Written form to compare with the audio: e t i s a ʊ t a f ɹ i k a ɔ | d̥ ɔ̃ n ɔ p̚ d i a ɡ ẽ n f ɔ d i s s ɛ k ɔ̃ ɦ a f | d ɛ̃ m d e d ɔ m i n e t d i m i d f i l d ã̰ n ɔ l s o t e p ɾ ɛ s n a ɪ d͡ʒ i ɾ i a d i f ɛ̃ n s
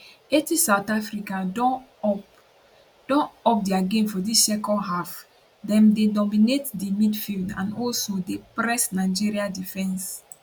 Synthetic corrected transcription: e t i s a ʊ t a f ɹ i k a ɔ | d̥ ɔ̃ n ɔ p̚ d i a ɡ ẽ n f ɔ d i s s ɛ k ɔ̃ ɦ a f | d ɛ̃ m d e d ɔ m i n e t d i m i d f i l d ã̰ n ɔ l s o d e p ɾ ɛ s n a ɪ d͡ʒ i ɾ i a d i f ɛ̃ n s